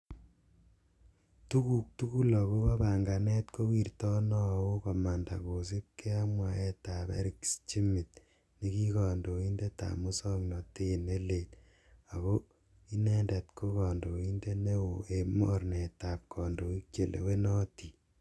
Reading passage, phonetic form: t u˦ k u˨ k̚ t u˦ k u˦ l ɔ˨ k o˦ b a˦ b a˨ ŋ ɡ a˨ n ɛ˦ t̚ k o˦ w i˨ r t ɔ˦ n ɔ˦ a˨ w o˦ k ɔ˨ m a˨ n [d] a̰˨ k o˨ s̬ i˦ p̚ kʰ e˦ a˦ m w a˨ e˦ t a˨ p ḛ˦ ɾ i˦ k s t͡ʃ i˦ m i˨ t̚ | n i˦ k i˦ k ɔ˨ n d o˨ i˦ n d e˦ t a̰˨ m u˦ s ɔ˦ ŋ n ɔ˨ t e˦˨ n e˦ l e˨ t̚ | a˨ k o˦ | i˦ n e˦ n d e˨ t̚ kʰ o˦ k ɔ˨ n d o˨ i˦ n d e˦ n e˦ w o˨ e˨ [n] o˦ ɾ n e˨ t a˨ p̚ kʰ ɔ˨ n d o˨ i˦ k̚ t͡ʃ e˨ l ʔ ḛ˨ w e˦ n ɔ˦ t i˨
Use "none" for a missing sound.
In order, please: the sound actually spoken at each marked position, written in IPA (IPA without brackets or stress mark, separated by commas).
d, m